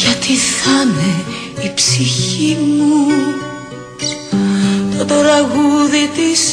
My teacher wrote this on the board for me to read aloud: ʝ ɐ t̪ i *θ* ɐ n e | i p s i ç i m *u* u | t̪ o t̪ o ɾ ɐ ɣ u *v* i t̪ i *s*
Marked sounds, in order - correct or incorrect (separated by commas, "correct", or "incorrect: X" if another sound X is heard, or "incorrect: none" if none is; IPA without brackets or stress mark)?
correct, correct, incorrect: ð, correct